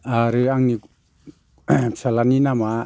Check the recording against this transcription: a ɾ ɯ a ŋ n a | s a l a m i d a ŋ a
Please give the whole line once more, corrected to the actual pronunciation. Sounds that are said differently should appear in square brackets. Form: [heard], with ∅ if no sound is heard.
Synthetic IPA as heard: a ɾ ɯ a ŋ n [i] | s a l a [n] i [n] a [m] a